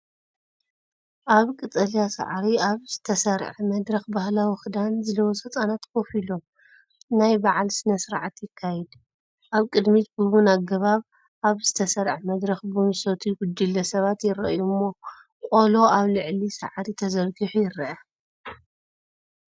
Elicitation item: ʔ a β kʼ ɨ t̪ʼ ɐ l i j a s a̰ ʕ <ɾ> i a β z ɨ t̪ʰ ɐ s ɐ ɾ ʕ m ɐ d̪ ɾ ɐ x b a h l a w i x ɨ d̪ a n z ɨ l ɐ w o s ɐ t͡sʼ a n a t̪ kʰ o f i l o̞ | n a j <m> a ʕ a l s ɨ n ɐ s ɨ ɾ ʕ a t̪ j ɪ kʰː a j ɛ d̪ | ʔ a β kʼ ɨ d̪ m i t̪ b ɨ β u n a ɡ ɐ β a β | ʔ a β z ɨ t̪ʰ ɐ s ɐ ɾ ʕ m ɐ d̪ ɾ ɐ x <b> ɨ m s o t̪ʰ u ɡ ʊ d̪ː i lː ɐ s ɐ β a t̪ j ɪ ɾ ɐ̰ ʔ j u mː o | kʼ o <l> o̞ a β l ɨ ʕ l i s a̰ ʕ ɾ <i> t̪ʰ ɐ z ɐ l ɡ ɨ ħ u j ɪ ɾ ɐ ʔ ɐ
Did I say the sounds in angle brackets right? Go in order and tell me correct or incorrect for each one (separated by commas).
correct, incorrect, correct, correct, correct